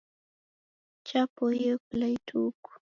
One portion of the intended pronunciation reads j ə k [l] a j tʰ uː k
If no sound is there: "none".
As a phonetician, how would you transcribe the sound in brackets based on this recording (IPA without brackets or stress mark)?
l